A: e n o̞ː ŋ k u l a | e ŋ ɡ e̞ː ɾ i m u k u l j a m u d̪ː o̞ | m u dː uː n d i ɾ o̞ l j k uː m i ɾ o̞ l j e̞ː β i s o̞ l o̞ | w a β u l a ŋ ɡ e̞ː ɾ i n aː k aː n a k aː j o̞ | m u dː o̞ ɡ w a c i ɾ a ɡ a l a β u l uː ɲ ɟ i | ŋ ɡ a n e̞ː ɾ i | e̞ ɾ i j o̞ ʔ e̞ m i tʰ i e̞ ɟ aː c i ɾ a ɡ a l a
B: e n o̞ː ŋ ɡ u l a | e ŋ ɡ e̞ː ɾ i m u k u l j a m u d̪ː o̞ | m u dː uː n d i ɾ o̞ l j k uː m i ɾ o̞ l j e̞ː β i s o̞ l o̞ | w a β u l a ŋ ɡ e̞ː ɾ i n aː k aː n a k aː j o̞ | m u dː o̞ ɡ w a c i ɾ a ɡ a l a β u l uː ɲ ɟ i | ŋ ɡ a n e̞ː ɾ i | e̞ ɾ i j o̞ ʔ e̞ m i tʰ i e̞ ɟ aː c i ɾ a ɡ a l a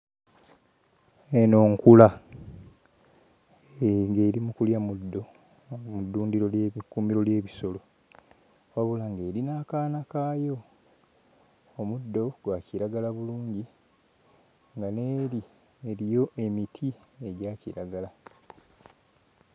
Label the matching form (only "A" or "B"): A